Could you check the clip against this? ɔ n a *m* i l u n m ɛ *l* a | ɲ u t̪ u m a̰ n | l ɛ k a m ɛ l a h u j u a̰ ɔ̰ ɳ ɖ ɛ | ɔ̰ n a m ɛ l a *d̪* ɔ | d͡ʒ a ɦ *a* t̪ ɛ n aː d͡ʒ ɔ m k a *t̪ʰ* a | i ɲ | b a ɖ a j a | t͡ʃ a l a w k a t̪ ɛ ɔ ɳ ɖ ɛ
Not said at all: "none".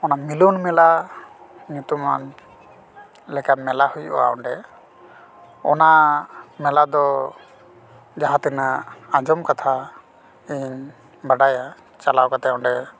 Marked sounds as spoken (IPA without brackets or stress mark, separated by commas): m, l, d̪, a, t̪ʰ